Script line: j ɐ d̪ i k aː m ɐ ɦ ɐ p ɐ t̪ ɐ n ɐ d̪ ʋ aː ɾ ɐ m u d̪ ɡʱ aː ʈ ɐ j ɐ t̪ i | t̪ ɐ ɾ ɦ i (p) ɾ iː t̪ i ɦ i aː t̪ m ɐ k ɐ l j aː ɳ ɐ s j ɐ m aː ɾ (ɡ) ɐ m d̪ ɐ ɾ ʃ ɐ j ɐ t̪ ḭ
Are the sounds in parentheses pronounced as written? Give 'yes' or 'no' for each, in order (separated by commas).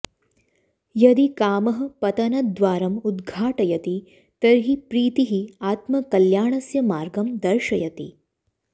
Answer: yes, yes